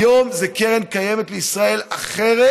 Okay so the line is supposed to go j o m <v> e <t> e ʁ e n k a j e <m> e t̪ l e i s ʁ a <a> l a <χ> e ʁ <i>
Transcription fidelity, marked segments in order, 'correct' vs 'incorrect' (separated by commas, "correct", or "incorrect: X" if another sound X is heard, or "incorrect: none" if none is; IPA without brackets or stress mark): incorrect: z, incorrect: k, correct, incorrect: e, correct, incorrect: e